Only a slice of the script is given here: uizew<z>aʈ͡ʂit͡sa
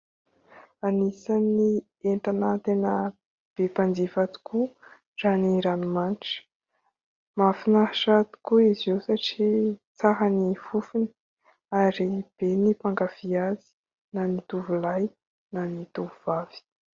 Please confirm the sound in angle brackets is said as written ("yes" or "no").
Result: no